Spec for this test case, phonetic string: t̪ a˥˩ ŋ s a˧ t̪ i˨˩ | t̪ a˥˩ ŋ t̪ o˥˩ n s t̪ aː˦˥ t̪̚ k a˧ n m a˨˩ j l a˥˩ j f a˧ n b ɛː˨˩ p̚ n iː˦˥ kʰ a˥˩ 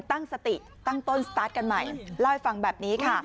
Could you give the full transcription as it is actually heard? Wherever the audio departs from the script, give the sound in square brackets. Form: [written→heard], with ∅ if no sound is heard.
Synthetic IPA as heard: t̪ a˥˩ ŋ s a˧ t̪ i˨˩ | t̪ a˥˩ ŋ t̪ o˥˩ n s t̪ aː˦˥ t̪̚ k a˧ n m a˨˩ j l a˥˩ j f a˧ [n→ŋ] b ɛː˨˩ p̚ n iː˦˥ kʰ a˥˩